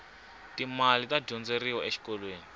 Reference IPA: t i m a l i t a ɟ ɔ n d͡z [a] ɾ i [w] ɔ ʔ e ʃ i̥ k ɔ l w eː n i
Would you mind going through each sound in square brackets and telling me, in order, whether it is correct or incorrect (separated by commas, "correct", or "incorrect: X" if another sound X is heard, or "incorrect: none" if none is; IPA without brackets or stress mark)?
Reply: incorrect: e, correct